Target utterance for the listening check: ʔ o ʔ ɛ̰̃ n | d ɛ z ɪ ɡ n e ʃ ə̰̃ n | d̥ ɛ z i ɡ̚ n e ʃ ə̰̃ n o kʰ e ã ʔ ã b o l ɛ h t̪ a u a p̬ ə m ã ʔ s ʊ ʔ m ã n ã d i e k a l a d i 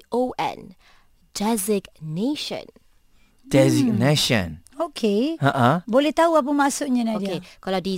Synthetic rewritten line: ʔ o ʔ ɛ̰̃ n | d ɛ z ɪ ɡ n e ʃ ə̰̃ n | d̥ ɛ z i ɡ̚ n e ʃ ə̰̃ n o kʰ e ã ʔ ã b o l ɛ h t̪ a u a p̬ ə m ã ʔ s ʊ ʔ ɲ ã n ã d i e k a l a d i